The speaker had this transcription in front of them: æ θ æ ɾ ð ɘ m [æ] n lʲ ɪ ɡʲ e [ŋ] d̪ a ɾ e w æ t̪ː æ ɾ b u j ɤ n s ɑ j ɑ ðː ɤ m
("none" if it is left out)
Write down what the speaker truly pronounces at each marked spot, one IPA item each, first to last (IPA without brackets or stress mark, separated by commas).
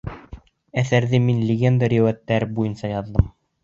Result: i, n